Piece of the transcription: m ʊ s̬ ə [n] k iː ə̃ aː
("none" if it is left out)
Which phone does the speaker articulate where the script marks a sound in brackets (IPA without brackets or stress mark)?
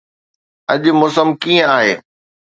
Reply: m